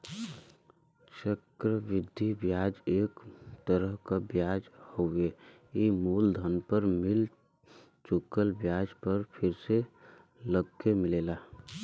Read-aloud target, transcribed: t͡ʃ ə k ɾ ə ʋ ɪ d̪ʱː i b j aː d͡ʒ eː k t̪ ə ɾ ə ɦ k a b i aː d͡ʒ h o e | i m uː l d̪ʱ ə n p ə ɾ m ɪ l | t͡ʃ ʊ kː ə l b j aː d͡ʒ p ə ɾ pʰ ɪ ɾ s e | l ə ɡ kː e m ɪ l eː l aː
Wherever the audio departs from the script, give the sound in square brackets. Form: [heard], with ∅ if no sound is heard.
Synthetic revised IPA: t͡ʃ ə k ɾ ə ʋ ɪ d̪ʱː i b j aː d͡ʒ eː k t̪ ə ɾ ə ɦ k a b [j] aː d͡ʒ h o e | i m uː l d̪ʱ ə n p ə ɾ m ɪ l | t͡ʃ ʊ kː ə l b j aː d͡ʒ p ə ɾ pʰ ɪ ɾ s e | l ə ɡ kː e m ɪ l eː l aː